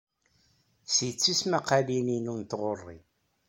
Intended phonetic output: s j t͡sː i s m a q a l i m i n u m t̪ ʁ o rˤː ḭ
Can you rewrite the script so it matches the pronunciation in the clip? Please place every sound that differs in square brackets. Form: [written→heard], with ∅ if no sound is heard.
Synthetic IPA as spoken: s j t͡sː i s m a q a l i [m→n] i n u [m→n] t̪ ʁ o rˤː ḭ

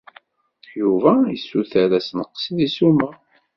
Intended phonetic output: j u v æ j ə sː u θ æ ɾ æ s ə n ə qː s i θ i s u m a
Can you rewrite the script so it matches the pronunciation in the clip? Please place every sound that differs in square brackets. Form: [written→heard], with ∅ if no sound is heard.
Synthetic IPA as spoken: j u v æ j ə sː u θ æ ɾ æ s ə n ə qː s i [θ→ð] i s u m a

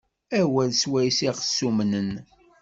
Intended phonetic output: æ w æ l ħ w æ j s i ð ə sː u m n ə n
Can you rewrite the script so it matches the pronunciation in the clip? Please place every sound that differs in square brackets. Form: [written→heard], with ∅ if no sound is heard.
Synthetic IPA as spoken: æ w æ l [ħ→s] w æ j s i [ð→ʁ] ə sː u m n ə n

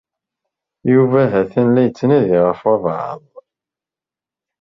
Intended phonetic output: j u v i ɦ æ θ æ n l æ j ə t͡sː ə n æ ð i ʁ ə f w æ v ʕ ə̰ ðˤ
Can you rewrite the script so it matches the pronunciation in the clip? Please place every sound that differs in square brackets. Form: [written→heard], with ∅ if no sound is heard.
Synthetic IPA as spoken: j u v [i→æ] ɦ æ θ æ n l æ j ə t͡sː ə n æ ð i ʁ ə f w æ v ʕ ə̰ ðˤ

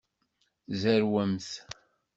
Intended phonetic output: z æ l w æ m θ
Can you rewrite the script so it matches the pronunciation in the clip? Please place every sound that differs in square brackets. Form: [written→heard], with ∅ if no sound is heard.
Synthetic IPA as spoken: z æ [l→ɾ] w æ m θ

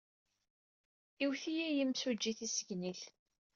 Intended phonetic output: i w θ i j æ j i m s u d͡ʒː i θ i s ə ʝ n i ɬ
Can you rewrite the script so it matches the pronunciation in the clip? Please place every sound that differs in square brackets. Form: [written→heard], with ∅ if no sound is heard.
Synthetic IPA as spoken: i w θ i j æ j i m s u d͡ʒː i θ i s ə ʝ n i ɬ

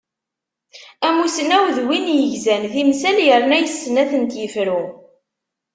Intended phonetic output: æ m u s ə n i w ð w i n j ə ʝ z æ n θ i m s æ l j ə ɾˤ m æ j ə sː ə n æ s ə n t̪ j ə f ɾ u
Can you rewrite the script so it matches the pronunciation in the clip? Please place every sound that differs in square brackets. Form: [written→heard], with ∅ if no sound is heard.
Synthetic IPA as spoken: æ m u s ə n [i→æ] w ð w i n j ə ʝ z æ n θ i m s æ l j ə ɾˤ [m→n] æ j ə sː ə n æ [s→θ] ə n t̪ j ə f ɾ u

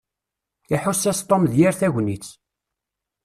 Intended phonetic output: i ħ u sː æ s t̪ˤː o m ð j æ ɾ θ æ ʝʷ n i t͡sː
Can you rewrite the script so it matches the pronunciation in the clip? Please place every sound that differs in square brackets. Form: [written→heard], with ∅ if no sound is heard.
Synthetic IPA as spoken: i ħ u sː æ s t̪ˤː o m ð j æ ɾ θ æ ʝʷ n i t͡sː

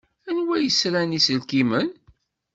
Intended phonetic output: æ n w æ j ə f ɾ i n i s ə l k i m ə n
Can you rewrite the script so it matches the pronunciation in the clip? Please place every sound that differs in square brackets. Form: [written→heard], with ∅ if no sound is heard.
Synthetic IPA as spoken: æ n w æ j ə [f→s] ɾ [i→æ] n i s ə l k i m ə n

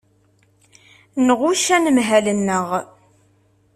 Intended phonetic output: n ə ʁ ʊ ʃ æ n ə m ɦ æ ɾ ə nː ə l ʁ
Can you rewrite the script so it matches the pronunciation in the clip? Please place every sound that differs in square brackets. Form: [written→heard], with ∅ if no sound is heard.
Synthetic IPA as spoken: n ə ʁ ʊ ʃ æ n ə m ɦ æ [ɾ→l] ə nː ə [l→∅] ʁ

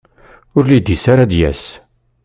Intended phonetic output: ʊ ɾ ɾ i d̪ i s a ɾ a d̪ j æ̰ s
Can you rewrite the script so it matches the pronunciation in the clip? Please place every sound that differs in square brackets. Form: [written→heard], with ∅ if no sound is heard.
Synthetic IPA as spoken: ʊ ɾ [ɾ→l] i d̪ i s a ɾ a d̪ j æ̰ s

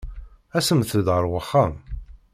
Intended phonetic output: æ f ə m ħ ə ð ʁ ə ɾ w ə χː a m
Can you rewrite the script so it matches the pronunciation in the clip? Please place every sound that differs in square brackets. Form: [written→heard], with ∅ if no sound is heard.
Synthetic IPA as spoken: æ [f→s] ə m [ħ→θ] ə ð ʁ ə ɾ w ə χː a m

